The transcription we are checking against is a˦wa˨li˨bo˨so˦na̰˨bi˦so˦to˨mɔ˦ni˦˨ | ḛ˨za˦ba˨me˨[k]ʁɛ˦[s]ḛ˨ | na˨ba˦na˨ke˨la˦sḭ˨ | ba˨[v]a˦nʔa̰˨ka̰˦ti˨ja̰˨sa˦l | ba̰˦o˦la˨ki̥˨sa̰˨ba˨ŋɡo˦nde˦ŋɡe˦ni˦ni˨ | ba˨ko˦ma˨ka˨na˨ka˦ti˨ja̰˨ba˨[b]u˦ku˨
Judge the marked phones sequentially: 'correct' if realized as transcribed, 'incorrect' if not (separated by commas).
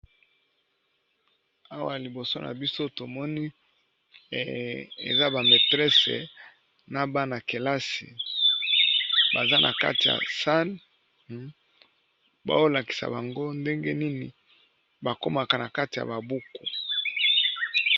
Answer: incorrect, correct, incorrect, correct